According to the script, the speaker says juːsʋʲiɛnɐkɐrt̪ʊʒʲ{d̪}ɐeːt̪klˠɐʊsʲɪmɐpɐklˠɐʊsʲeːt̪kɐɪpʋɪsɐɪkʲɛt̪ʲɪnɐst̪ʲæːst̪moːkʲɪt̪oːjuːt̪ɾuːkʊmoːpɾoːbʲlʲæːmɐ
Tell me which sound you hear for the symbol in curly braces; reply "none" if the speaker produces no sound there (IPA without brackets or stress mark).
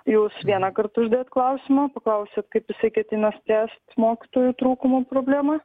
d̪